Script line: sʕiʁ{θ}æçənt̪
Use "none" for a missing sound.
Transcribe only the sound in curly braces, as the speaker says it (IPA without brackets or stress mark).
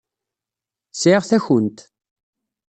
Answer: θ